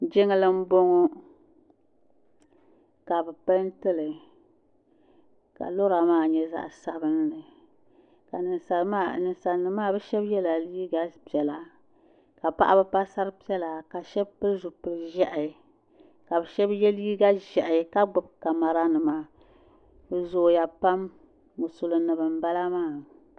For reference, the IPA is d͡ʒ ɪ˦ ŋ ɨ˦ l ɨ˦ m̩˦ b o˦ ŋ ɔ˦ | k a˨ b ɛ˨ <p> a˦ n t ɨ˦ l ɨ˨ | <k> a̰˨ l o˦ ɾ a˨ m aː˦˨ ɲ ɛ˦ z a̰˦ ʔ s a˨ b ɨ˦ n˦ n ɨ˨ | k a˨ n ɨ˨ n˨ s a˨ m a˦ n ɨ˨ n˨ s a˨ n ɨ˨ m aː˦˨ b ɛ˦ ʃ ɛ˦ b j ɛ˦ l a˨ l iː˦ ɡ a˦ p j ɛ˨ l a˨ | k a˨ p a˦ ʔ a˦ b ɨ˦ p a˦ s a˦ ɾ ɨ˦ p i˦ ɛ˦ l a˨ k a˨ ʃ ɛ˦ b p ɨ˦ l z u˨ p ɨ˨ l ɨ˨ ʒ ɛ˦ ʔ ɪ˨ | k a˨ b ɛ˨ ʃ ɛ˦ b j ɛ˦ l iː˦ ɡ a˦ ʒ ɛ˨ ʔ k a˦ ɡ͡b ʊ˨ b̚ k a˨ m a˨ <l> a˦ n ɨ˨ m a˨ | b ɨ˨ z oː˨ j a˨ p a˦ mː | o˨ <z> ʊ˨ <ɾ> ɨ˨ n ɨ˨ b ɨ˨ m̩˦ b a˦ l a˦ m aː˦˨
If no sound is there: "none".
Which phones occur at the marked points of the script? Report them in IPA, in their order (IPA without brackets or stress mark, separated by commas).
p, k, ɾ, s, l